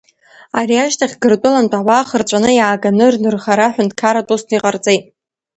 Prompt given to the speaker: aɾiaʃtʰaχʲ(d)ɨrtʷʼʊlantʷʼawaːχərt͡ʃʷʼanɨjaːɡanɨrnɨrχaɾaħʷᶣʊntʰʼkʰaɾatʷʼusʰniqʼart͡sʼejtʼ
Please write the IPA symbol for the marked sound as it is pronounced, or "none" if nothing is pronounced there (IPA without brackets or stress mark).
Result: ɡ